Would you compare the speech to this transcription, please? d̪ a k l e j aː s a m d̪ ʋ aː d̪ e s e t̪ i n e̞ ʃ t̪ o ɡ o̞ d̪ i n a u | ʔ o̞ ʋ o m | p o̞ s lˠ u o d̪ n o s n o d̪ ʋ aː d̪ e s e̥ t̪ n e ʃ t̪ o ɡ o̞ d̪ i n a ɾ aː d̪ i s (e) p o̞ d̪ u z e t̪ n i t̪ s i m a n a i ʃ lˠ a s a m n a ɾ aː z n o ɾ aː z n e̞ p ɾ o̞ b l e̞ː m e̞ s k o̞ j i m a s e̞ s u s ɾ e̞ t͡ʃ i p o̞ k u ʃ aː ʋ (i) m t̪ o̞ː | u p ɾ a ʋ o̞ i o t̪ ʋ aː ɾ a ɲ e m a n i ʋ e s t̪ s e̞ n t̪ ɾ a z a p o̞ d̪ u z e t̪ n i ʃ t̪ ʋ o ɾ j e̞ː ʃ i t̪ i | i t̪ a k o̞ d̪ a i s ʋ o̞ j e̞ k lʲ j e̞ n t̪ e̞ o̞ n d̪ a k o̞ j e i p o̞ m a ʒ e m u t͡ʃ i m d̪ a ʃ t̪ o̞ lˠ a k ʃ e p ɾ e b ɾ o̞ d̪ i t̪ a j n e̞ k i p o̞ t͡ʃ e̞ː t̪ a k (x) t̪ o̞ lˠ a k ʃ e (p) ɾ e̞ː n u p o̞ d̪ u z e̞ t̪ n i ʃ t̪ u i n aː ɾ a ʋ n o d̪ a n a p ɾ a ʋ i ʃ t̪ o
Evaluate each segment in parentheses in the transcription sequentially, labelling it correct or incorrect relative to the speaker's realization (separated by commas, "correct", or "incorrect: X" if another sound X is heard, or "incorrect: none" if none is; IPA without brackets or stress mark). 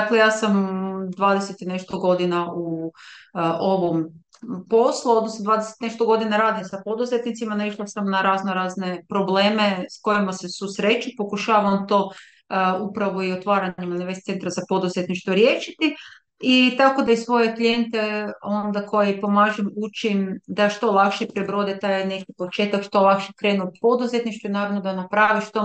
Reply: incorrect: a, incorrect: a, incorrect: ʃ, incorrect: k